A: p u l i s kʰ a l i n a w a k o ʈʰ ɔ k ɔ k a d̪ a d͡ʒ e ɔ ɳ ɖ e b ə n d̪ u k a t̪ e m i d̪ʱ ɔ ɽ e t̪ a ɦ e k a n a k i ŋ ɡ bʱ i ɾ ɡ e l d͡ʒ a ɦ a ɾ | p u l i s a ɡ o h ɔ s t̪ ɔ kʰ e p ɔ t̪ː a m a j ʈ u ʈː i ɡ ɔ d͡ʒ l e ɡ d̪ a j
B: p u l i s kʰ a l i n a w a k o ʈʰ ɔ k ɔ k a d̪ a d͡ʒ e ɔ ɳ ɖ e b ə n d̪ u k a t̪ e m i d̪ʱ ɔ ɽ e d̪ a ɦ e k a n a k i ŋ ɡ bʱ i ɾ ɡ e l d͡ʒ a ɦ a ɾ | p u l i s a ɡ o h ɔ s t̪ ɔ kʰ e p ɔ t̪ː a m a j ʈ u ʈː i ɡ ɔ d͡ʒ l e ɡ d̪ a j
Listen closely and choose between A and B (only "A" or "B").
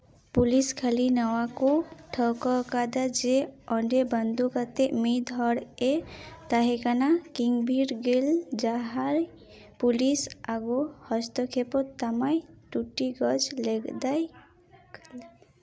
A